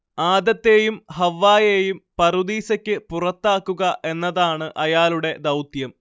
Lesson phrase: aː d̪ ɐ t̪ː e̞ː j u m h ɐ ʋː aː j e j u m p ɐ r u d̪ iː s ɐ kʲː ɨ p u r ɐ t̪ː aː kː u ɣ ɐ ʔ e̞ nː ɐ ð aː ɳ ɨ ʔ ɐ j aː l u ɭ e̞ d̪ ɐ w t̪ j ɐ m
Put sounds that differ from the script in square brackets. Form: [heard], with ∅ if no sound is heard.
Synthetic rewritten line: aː d̪ ɐ t̪ː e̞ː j u m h ɐ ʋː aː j e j u m p ɐ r u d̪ iː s ɐ kʲː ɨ p u r ɐ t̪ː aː kː u ɣ ɐ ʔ e̞ nː ɐ ð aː ɳ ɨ ʔ ɐ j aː l u [ɽ] e̞ d̪ ɐ w t̪ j ɐ m